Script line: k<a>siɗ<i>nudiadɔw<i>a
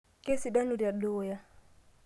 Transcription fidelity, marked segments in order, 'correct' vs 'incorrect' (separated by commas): incorrect, incorrect, incorrect